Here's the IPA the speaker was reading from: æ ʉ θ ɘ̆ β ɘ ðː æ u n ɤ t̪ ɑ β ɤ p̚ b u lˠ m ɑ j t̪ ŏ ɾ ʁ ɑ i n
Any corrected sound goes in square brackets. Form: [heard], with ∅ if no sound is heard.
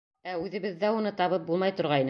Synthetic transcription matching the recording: æ ʉ [ð] ɘ̆ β ɘ ðː æ u n ɤ t̪ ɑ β ɤ p̚ b u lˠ m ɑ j t̪ ŏ ɾ ʁ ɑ i n